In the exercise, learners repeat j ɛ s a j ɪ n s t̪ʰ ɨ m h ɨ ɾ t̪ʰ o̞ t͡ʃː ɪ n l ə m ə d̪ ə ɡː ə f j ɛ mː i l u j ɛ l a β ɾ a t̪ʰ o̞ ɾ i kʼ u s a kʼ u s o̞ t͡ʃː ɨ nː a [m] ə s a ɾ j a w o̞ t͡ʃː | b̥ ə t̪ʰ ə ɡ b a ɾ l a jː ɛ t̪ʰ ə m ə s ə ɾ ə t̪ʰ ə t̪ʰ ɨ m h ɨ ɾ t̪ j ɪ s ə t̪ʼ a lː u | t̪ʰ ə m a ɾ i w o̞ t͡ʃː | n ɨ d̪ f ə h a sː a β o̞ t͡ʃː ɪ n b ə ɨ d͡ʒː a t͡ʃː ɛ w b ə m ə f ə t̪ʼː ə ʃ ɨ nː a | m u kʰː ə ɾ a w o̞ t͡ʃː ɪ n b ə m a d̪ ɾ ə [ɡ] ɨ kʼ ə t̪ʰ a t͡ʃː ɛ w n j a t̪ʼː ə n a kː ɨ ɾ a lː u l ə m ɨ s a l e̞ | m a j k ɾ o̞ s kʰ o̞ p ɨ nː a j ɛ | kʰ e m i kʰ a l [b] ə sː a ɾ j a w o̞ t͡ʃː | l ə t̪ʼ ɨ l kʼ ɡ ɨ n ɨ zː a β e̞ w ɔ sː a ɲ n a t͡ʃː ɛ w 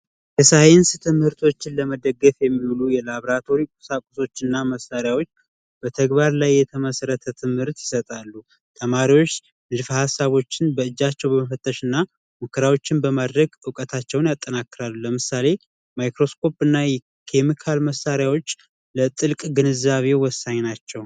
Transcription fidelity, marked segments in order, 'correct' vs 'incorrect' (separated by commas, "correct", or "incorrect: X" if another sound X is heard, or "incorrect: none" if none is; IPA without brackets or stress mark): correct, correct, incorrect: m